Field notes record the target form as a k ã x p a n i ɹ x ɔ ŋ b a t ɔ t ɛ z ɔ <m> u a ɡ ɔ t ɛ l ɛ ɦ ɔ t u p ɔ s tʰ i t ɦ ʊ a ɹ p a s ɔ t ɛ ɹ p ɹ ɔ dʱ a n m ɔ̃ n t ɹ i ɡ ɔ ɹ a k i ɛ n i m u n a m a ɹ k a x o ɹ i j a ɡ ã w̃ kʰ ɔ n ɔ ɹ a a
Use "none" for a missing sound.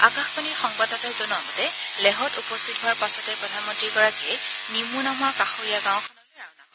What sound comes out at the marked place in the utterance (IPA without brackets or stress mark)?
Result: n